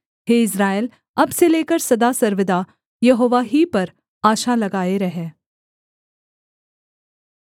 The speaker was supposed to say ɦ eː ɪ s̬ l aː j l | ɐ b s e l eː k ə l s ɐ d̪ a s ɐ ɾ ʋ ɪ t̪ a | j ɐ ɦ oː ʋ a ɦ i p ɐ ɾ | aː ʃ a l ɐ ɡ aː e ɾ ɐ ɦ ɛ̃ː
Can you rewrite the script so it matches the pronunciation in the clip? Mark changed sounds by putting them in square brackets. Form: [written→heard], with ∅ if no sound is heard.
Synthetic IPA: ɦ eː ɪ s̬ [l→ɾ] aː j l | ɐ b s e l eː k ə [l→ɾ] s ɐ d̪ a s ɐ ɾ ʋ ɪ [t̪→d̪] a | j ɐ ɦ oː ʋ a ɦ i p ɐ ɾ | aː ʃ a l ɐ ɡ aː e ɾ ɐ ɦ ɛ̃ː